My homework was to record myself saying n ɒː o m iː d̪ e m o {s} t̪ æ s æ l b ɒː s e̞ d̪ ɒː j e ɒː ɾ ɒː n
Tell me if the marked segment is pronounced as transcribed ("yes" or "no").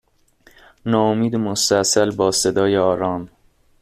yes